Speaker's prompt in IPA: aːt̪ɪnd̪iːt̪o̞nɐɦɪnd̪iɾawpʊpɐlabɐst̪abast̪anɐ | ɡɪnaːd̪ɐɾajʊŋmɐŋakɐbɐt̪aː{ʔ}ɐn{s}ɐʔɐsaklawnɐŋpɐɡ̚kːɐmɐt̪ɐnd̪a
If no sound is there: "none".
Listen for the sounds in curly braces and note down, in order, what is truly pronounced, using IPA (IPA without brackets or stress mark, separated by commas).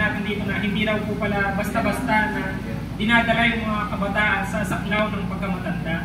ʔ, s